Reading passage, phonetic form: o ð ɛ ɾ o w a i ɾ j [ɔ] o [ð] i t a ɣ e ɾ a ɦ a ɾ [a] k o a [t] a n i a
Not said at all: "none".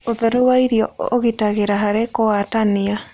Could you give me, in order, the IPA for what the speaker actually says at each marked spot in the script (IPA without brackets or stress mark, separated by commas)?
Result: ɔ, ɣ, e, t